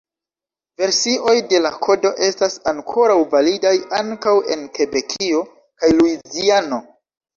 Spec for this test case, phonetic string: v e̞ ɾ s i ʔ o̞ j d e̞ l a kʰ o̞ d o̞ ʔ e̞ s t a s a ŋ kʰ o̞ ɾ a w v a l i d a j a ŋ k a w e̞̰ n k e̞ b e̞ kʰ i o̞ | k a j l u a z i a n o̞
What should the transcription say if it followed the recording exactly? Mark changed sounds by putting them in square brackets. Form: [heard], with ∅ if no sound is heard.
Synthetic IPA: v e̞ ɾ s i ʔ o̞ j d e̞ l a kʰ o̞ d o̞ ʔ e̞ s t a s a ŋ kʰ o̞ ɾ a w v a l i d a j a ŋ k a w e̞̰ n k e̞ b e̞ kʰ i o̞ | k a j l u [i] z i a n o̞

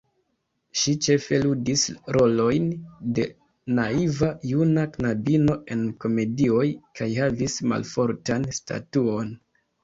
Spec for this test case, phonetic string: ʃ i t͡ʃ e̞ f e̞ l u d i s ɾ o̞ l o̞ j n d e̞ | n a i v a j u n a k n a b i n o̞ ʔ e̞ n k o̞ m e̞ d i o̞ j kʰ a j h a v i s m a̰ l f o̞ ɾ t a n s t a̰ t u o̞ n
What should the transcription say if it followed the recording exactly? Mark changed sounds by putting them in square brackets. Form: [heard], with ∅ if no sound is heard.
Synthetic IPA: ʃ i t͡ʃ e̞ f e̞ l u d i s ɾ o̞ l o̞ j n d e̞ | n a i v a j u n a k n a b i n o̞ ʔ e̞ n k o̞ m e̞ d i o̞ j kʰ a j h a v i s m a̰ l f o̞ ɾ t a n s t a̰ t u o̞ n

